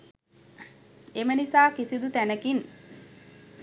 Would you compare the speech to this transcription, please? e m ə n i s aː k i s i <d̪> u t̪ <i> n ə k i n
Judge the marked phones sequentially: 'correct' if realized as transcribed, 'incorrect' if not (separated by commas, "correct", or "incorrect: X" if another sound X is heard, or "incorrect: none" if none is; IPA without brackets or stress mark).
correct, incorrect: æ